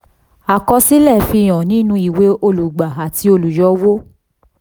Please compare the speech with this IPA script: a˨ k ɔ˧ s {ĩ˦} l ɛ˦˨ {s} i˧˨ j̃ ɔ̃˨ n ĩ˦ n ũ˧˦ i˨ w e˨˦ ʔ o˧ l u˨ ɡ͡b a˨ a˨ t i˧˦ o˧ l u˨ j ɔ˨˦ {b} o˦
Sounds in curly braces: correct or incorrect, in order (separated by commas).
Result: incorrect, incorrect, incorrect